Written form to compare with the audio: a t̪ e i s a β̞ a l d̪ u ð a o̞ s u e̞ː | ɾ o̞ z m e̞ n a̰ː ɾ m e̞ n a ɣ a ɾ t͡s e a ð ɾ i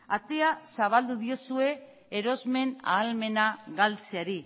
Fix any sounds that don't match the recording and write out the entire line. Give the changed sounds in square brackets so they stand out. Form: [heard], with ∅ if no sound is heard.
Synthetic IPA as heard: a t̪ e [a] s a β̞ a l d̪ u ð [i] o̞ s u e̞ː | ɾ o̞ z m e̞ n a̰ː [l] m e̞ n a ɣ a [l] t͡s e a [∅] ɾ i